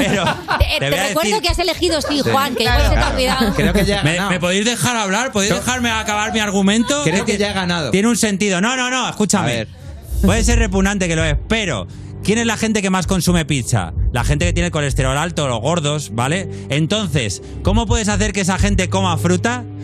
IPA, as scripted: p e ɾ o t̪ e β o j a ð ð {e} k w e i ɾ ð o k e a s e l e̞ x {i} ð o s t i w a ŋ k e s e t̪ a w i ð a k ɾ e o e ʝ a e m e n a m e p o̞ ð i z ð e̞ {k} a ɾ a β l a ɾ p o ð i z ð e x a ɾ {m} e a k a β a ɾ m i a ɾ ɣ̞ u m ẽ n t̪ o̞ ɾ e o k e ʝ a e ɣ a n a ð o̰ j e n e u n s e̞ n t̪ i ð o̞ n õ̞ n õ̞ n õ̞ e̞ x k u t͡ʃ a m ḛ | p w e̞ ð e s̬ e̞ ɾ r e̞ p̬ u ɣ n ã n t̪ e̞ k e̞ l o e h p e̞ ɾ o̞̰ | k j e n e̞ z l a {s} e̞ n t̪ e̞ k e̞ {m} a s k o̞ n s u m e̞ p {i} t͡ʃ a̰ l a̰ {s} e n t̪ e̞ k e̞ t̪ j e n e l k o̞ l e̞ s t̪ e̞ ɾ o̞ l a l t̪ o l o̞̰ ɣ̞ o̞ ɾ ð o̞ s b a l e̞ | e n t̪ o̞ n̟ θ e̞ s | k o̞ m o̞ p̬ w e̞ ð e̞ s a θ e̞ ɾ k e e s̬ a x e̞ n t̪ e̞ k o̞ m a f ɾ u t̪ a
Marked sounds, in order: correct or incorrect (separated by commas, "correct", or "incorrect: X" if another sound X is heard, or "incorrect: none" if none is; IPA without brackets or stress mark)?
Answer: correct, correct, incorrect: x, correct, incorrect: x, correct, correct, incorrect: x